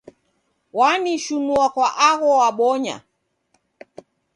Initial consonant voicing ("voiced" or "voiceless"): voiced